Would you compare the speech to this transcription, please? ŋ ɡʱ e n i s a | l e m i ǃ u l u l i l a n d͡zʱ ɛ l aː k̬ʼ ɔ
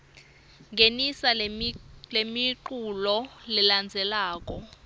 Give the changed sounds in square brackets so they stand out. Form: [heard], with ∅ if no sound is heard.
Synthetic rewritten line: ŋ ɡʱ e n i s a | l e m i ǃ u l [ɔ] l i l a n d͡zʱ ɛ l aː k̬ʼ ɔ